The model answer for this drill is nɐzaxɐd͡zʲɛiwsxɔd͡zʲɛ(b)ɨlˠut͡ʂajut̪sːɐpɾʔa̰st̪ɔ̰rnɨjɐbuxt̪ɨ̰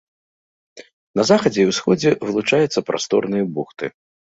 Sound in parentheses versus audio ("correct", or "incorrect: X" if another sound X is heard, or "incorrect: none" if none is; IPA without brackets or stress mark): incorrect: v